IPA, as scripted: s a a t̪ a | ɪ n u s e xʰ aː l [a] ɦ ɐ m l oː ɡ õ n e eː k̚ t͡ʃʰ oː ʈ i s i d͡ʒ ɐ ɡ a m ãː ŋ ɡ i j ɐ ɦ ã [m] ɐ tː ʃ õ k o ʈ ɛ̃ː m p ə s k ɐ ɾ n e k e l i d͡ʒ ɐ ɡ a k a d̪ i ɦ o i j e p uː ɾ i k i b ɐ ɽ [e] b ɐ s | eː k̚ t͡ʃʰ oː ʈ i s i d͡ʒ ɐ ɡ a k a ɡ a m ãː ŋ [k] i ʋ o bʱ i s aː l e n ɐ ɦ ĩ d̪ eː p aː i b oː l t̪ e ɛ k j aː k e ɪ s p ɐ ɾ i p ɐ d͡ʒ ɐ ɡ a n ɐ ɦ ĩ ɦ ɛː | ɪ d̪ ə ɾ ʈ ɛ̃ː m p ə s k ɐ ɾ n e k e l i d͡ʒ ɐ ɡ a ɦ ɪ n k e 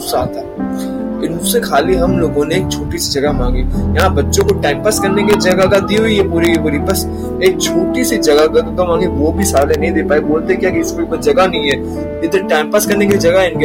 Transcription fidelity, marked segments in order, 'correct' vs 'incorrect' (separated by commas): incorrect, incorrect, incorrect, incorrect